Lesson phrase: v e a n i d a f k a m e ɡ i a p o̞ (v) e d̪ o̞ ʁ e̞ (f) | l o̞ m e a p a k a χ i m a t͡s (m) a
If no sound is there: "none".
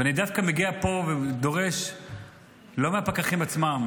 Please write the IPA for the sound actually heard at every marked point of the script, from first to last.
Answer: v, ʃ, m

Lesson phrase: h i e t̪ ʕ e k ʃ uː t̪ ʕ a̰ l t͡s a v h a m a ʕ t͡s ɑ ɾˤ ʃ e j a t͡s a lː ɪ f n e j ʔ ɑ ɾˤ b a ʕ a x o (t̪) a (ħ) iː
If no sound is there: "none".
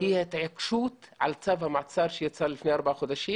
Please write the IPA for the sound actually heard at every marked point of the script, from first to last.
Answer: d̪, ʃ

